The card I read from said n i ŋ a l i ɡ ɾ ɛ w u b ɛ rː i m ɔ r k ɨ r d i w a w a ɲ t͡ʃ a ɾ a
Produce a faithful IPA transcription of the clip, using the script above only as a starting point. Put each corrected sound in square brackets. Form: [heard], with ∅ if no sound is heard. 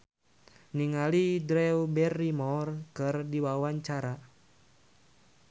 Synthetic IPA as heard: n i ŋ a l i [d] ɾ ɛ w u b ɛ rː i m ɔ r k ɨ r d i w a w a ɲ t͡ʃ a ɾ a